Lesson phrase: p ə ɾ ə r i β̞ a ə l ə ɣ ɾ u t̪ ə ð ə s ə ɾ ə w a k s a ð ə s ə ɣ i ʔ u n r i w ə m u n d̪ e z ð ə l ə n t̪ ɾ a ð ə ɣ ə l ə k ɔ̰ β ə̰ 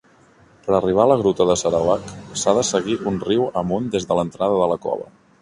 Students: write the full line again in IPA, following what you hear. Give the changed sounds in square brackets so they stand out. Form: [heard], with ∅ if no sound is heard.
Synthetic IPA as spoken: p ə ɾ ə r i β̞ a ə l ə ɣ ɾ u t̪ ə ð ə s ə ɾ ə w a k s a ð ə s ə ɣ i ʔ u n r i w ə m u n d̪ e z ð ə l ə n t̪ ɾ a ð ə [ð] ə l ə k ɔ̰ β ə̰